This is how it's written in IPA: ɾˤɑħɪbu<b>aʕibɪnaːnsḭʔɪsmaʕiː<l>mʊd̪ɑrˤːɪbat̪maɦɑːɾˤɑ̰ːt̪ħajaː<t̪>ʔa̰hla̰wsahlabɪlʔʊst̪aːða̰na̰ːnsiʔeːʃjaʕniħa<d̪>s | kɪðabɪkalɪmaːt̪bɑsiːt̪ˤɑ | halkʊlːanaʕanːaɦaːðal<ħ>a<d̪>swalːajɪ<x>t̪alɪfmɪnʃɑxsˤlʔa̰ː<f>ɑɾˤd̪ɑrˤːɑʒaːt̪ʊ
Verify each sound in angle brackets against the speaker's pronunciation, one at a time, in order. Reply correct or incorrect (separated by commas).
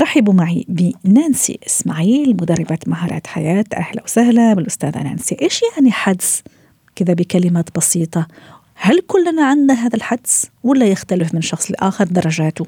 incorrect, correct, correct, correct, correct, correct, correct, incorrect